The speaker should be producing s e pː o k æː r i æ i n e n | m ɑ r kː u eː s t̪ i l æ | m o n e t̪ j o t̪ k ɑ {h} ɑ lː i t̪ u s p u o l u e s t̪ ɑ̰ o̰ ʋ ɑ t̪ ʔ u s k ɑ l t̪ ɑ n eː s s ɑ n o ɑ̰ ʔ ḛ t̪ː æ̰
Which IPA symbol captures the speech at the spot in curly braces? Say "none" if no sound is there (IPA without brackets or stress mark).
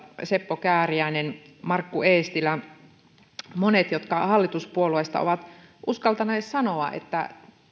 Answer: h